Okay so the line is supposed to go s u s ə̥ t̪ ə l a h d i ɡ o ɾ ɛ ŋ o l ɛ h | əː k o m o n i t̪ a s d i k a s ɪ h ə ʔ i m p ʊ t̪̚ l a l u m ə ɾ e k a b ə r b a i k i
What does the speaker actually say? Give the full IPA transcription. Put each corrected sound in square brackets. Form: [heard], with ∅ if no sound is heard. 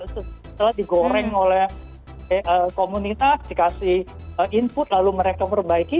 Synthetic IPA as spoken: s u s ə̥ t̪ ə l a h d i ɡ o ɾ ɛ ŋ o l ɛ h | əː k o m [u] n i t̪ a s d i k a s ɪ h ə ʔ i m p ʊ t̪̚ l a l u m ə ɾ e k a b ə r b a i k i

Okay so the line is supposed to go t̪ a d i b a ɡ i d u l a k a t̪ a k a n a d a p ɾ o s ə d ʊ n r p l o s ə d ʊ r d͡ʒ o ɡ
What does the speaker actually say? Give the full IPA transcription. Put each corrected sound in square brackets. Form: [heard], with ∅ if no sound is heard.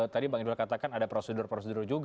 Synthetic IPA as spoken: t̪ a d i b a [ŋ] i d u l a k a t̪ a k a n a d a p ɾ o s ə d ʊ [∅] r p [ɾ] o s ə d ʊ r d͡ʒ [u] ɡ

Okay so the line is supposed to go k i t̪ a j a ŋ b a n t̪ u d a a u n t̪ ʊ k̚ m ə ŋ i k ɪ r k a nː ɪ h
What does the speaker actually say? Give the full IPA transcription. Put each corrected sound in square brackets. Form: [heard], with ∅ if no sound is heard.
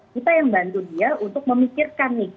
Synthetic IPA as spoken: k i t̪ a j a ŋ b a n t̪ u d [i] a u n t̪ ʊ k̚ m ə [m] i k ɪ r k a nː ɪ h

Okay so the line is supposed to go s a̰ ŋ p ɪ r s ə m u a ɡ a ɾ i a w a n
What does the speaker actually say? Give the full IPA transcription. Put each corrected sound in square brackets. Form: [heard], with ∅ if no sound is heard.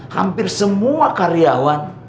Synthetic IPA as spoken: [h] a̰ [m] p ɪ r s ə m u a [k] a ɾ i a w a n

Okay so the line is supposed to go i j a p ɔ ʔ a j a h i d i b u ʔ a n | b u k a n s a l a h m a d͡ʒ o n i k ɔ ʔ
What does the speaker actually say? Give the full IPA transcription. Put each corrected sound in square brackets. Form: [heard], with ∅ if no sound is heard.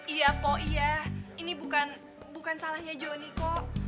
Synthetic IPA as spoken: i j a p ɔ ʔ [i] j a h i [n] i b u [k] a n | b u k a n s a l a h [ɲ] a d͡ʒ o n i k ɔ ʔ

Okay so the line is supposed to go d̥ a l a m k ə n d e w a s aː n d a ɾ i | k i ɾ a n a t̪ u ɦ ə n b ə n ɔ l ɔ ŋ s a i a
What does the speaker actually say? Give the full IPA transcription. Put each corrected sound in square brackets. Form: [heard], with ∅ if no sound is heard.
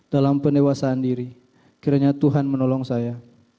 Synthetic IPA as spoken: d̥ a l a m [p] ə n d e w a s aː n d [i] ɾ i | k i ɾ a [ɲ] a t̪ u ɦ [a] n [m] ə n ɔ l ɔ ŋ s a [j] a

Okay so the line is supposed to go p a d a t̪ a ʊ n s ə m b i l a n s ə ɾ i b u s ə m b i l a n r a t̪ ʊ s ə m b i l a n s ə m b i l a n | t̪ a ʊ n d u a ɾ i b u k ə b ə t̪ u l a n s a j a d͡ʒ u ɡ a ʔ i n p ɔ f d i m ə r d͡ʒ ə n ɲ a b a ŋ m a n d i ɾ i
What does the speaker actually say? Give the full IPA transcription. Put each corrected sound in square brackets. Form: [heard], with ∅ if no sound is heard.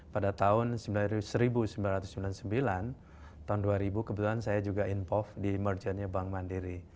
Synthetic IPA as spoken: p a d a t̪ a ʊ n s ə m b i l a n s ə ɾ i b u s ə m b i l a n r a t̪ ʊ s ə m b i l a n s ə m b i l a n | t̪ a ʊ n d u a ɾ i b u k ə b ə t̪ u l a n s a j a d͡ʒ u ɡ a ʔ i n p ɔ f d i m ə r d͡ʒ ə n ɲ a b a ŋ m a n d i ɾ i

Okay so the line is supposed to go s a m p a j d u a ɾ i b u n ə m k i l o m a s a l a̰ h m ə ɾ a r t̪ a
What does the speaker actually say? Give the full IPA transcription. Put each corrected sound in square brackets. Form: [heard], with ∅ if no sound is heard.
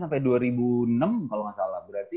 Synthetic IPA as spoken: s a m p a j d u a ɾ i b u n ə m k [a] l o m a s a l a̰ h [b] ə ɾ a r t̪ [i]

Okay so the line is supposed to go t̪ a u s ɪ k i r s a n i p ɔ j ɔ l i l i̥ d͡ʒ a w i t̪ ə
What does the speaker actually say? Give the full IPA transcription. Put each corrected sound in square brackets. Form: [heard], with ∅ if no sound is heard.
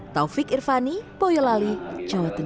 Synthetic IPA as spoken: t̪ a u [f] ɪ k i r [f] a n i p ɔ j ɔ l [a] l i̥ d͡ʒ a w [a] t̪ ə

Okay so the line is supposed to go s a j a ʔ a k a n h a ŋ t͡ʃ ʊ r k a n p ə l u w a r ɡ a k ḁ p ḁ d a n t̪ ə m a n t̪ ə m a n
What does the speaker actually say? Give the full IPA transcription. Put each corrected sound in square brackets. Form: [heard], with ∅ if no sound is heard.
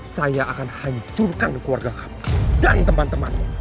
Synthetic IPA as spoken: s a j a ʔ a k a n h a [ɲ] t͡ʃ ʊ r k a n [k] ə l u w a r ɡ a k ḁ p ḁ d a n t̪ ə m a n t̪ ə m a n

